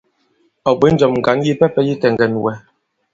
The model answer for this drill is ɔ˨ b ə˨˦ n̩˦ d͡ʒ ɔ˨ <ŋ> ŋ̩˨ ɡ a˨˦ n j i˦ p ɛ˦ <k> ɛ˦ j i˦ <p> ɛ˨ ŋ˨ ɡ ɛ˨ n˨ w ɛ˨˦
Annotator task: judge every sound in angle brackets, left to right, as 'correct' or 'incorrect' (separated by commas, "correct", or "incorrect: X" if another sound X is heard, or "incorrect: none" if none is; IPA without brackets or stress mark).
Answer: incorrect: m, incorrect: p, incorrect: t